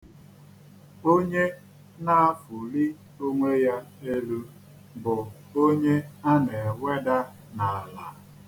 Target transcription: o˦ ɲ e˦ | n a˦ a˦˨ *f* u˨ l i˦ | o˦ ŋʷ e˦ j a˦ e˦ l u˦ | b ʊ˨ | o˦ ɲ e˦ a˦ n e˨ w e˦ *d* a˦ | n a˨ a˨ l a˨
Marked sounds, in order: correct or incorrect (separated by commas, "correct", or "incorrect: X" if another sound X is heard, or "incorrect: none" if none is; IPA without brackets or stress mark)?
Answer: correct, correct